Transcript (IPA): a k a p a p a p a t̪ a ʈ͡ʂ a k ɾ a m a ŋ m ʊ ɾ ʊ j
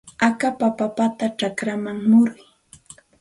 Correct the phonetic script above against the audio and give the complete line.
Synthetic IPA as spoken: a k a p a p a p a t̪ a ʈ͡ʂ a k ɾ a m a ŋ m ʊ ɾ ʊ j

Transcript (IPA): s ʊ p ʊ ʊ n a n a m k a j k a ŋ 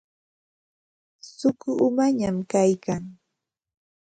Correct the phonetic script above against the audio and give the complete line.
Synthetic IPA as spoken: s ʊ k ʊ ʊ m a ɲ a m k a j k a ŋ

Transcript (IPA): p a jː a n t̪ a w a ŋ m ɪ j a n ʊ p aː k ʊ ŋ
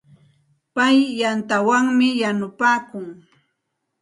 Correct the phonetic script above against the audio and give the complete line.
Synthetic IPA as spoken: p a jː a n t̪ a w a ŋ m ɪ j a n ʊ p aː k ʊ ŋ

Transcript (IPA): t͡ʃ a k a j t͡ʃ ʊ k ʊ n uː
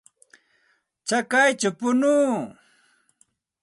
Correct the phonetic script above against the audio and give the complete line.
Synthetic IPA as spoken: t͡ʃ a k a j t͡ʃ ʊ p ʊ n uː

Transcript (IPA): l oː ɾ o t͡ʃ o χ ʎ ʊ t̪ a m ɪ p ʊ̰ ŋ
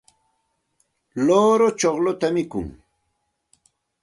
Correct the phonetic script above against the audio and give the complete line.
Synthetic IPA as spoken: l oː ɾ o t͡ʃ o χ l ʊ t̪ a m ɪ k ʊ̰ ŋ

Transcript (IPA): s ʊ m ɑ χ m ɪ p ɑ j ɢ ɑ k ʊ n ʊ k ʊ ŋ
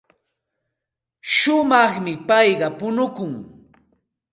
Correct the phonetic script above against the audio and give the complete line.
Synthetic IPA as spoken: ʃ ʊ m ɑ χ m ɪ p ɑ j ɢ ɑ p ʊ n ʊ k ʊ ŋ

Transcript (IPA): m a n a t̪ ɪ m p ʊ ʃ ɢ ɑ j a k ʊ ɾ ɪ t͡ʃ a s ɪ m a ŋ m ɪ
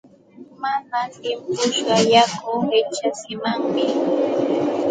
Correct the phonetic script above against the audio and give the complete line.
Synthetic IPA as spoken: m a n a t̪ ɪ m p ʊ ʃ ɢ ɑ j a k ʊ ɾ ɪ t͡ʃ a s ɪ m a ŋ m ɪ

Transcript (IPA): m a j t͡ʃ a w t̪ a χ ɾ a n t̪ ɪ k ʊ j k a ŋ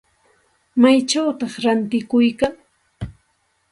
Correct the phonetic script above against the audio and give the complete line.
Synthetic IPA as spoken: m a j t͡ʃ a w t̪ ɑ χ ɾ a n t̪ ɪ k ʊ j k a ŋ

